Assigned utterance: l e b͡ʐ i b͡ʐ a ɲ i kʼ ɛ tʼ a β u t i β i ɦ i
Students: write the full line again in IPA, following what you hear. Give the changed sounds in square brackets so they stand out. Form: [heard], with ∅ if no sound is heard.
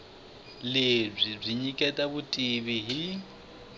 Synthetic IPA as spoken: l e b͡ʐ i b͡ʐ [i] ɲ i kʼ ɛ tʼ a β u [tʼ] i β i ɦ i

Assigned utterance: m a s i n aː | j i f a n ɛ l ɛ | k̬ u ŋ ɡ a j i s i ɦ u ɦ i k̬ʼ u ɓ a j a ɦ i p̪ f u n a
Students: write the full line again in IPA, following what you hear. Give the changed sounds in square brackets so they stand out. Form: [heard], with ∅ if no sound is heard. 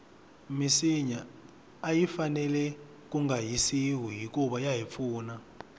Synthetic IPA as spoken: m [i] s i [ɲ] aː | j i f a n ɛ l ɛ | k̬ u ŋ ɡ a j i s i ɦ u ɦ i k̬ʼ u ɓ a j a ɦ i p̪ f [uː] n a

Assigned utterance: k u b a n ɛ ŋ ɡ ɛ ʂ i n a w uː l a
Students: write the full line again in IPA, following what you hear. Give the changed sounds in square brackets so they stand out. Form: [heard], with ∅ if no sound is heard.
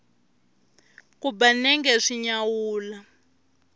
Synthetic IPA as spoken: k u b a n ɛ ŋ ɡ ɛ ʂ i [ɲ] a w uː l a

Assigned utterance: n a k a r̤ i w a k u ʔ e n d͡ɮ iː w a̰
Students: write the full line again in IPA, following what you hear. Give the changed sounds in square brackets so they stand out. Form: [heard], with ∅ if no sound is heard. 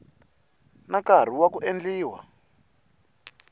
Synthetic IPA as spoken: n a k a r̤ i w a k u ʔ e n d͡ɮ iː w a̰

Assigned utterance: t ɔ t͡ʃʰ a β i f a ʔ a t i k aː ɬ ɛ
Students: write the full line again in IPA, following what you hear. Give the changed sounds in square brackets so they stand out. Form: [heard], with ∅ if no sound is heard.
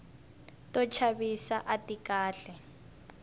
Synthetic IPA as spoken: t ɔ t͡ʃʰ a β i [s] a ʔ a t i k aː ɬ ɛ

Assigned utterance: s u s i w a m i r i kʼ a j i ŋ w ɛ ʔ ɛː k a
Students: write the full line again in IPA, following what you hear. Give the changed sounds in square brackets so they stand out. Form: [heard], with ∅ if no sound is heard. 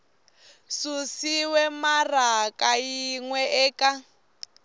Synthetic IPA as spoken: s u s i w [ɛ] m [a] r [a] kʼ a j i ŋ w ɛ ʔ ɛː k a

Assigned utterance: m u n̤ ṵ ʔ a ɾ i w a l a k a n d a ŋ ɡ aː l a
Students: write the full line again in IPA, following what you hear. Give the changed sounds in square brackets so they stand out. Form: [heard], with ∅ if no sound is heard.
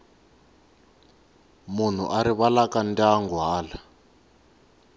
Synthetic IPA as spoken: m u n̤ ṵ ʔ a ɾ i [β] a l a k a n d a ŋ ɡ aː l a

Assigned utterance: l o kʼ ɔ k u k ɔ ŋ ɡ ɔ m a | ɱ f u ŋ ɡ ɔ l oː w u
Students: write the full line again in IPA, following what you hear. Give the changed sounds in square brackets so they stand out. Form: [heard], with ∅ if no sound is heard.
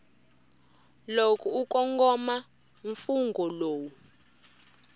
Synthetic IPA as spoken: l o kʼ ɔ [∅] u k ɔ ŋ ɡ ɔ m a | ɱ f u ŋ ɡ ɔ l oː w u

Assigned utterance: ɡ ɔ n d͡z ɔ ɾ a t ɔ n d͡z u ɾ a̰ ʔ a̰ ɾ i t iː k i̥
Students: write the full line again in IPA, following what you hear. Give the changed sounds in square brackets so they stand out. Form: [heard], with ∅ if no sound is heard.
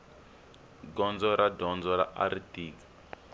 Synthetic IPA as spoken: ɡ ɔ n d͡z ɔ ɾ a [d] ɔ n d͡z [ɔ] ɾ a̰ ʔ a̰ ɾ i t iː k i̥

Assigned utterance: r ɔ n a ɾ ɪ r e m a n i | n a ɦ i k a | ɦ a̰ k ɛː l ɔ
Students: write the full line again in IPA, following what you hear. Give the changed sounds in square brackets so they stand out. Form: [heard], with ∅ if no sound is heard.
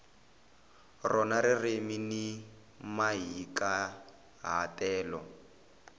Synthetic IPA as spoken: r ɔ n a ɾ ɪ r e m [i] n i | [m] a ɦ i k a | ɦ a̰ [t] ɛː l ɔ

